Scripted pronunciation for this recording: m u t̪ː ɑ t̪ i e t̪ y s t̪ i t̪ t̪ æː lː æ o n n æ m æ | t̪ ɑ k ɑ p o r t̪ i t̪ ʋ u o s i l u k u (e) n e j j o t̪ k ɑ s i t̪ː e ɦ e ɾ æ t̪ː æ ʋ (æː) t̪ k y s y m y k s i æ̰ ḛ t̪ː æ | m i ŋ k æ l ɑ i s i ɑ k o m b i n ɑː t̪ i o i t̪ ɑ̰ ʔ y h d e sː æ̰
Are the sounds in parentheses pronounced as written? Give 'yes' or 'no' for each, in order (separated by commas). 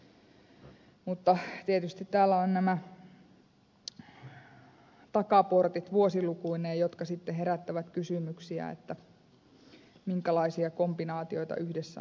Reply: no, no